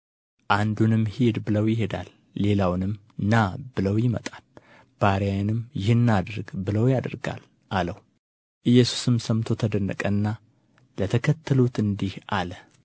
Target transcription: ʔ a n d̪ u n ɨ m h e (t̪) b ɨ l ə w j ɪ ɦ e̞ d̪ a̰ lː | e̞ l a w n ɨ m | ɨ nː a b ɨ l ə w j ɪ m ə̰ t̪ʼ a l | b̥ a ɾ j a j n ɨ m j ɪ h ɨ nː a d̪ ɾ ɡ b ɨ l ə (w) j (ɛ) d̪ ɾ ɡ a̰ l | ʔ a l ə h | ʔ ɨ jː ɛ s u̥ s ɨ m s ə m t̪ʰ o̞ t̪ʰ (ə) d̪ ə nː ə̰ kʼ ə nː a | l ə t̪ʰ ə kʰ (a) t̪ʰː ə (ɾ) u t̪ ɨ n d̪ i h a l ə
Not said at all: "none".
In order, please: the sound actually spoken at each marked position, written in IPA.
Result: d̪, w, a, ə, ə, l

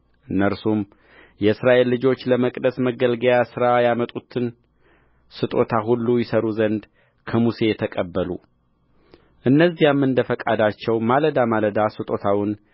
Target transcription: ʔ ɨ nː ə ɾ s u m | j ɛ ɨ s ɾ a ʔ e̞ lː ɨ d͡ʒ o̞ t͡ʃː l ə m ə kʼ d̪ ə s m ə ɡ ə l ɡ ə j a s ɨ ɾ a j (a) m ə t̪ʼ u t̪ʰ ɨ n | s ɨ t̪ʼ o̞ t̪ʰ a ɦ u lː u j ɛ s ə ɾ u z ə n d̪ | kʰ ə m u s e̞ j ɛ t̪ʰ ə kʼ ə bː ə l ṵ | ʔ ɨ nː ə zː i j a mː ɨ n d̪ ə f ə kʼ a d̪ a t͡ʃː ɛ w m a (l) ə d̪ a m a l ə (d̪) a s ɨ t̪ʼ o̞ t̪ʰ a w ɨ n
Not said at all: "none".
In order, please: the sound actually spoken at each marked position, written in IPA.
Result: a, l, d̪

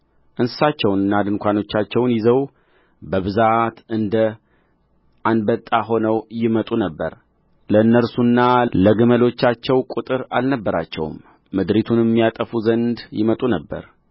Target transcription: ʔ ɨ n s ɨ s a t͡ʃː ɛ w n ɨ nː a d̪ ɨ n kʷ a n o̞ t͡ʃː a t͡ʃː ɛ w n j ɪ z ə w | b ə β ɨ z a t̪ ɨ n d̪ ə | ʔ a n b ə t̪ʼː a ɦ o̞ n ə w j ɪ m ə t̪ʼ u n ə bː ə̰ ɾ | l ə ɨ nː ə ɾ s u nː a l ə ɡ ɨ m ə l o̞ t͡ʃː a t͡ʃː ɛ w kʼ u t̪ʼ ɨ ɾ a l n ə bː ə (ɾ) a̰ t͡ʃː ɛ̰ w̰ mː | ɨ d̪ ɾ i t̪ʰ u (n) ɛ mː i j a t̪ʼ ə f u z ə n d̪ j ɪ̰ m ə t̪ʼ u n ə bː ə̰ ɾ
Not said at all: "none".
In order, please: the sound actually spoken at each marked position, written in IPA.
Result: ɾ, n

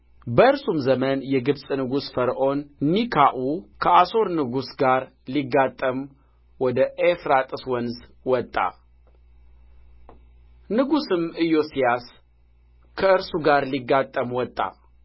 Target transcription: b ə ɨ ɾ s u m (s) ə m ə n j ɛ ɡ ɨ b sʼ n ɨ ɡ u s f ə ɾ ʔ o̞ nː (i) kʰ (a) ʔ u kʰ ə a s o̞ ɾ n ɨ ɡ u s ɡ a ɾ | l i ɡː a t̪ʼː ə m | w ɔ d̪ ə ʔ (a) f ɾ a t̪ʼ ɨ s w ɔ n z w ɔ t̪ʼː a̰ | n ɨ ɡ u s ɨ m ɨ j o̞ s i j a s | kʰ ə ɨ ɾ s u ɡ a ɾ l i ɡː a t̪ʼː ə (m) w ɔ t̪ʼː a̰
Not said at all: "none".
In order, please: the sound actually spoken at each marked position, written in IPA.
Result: z, i, a, e, m

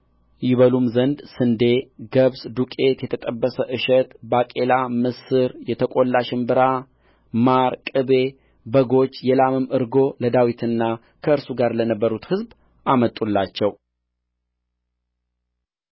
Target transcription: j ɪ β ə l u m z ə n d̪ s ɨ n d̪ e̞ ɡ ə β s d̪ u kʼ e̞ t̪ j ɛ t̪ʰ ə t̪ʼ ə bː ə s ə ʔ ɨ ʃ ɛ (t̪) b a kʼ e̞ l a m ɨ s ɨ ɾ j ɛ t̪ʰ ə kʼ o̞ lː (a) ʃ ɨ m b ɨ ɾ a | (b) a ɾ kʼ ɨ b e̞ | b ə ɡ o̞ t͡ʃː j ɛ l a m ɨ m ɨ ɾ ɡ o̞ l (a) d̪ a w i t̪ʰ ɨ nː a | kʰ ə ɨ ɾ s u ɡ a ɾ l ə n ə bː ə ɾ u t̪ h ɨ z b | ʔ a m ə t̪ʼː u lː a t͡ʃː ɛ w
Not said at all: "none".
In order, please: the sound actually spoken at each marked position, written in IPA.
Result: t̪, a, m, ə

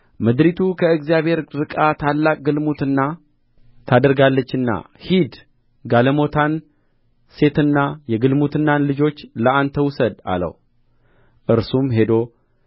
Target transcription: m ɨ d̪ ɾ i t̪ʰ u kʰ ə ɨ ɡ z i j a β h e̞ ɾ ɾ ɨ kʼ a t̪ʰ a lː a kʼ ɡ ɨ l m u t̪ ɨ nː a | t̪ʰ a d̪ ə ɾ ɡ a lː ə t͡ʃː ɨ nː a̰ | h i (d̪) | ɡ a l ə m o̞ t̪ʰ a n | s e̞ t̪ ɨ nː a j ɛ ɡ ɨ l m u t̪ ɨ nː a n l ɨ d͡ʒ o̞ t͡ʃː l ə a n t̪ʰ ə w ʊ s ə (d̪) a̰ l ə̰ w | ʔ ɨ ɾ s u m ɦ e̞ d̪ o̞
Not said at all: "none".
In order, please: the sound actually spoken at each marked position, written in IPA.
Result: d̪, d̪

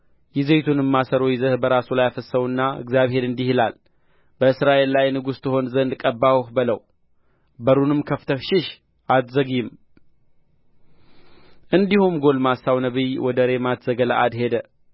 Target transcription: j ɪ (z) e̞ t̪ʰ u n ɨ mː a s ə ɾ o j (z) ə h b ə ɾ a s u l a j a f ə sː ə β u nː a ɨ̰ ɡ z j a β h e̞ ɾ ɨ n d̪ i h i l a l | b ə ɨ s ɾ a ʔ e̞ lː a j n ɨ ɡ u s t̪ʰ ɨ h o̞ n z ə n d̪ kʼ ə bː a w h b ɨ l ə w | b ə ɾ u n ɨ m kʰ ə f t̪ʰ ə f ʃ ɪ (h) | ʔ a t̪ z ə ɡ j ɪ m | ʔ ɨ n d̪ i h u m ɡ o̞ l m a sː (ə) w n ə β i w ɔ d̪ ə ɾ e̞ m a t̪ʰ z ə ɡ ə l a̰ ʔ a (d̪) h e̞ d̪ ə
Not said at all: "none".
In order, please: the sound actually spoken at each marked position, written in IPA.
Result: z, z, ʃ, a, d̪

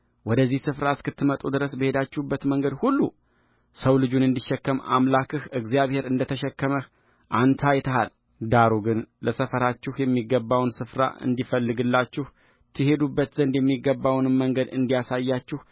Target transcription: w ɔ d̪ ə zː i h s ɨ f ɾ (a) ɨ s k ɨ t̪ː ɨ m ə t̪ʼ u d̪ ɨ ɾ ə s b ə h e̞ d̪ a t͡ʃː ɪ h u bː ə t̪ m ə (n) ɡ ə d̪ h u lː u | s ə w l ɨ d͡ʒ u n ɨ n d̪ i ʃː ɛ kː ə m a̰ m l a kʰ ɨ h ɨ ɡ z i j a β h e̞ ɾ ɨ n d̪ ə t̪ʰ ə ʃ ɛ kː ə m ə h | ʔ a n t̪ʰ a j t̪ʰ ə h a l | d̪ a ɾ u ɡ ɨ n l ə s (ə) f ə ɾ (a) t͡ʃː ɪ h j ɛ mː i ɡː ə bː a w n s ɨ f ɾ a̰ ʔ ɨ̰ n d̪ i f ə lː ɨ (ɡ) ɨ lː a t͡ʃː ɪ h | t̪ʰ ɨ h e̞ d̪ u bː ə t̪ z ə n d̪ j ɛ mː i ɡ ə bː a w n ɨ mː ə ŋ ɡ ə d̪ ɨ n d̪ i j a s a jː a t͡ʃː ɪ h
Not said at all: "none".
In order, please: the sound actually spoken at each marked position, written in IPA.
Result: a, ŋ, ə, a, ɡ

